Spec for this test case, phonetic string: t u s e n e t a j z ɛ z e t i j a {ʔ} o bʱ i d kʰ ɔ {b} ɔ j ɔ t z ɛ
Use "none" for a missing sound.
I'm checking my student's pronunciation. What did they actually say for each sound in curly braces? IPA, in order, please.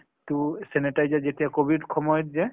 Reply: k, m

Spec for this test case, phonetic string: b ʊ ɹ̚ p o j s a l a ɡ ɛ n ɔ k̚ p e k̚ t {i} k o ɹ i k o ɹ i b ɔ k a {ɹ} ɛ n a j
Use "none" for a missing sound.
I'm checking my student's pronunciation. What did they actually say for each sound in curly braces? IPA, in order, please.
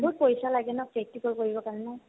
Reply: i, ɹ

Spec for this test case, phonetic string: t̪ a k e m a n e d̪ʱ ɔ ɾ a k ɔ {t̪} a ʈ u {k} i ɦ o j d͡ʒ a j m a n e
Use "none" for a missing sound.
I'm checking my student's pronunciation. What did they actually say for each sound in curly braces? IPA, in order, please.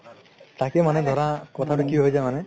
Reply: t̪ʰ, k

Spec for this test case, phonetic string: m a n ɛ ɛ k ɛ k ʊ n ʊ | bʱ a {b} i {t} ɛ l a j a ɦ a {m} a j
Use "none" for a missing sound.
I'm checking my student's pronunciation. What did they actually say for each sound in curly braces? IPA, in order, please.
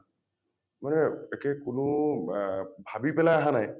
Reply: b, p, n

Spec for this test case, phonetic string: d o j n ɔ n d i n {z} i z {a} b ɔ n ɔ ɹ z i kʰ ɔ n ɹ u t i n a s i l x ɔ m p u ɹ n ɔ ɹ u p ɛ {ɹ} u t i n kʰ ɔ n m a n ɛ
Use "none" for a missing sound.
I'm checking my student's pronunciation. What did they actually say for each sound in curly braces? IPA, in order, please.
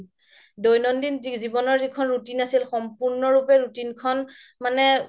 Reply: z, i, ɹ

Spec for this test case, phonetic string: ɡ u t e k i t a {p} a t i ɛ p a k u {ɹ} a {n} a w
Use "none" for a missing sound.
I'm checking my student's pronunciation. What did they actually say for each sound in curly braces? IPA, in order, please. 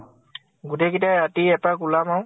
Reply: none, l, m

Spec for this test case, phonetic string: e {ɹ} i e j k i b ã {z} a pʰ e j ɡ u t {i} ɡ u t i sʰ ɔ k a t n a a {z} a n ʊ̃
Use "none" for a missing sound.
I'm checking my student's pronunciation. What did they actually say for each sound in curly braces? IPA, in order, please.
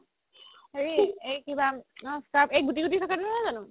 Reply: ɹ, s, i, z

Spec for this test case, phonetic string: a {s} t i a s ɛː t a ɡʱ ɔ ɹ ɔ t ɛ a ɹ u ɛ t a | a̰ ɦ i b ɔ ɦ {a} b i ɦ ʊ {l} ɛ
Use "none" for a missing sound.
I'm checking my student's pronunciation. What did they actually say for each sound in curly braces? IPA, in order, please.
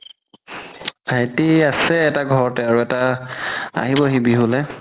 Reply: none, i, l

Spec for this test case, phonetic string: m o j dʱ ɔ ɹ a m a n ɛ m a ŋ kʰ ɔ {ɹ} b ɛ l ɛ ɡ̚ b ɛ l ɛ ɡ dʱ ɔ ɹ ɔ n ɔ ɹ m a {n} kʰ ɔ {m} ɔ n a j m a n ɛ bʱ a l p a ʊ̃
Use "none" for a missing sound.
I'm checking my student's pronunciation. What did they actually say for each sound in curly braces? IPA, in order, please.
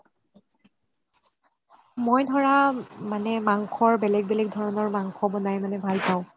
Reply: ɹ, ŋ, b

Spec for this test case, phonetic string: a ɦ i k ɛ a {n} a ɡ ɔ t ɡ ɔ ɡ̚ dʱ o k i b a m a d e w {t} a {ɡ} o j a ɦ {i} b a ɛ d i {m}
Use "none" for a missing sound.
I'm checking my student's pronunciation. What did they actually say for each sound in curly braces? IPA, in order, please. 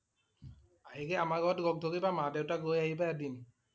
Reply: m, t, ɡ, i, n

